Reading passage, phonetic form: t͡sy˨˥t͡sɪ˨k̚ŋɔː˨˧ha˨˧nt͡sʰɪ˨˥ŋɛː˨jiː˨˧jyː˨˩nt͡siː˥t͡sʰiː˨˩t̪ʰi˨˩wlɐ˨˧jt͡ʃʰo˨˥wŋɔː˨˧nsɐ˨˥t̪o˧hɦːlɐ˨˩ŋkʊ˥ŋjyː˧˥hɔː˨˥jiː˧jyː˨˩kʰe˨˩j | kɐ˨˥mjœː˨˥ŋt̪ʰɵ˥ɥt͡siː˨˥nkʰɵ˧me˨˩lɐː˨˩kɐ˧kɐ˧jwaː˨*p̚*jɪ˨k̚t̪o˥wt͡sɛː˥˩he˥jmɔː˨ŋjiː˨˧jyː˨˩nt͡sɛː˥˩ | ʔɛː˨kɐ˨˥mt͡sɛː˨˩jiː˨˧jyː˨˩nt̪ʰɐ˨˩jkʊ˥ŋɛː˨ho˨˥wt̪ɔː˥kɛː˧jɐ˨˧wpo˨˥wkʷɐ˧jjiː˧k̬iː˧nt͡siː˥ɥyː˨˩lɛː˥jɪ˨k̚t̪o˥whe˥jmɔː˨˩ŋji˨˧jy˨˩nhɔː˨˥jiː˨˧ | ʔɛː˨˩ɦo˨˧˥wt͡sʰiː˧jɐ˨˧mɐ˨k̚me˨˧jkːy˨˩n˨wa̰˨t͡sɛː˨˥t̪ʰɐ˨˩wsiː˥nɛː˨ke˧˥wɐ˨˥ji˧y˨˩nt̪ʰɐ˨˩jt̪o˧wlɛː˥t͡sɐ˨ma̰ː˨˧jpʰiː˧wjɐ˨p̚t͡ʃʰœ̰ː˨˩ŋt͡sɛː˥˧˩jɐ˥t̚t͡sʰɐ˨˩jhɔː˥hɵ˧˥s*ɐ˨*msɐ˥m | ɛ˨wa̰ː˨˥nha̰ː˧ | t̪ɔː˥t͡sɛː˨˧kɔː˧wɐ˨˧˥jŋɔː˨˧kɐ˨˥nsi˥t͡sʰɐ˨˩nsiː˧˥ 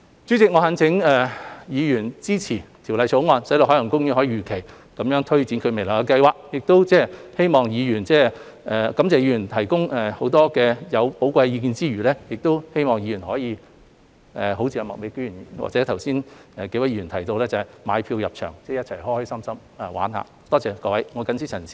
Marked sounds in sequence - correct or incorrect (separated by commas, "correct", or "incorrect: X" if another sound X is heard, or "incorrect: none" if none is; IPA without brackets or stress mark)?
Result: incorrect: k̚, incorrect: ɐ˥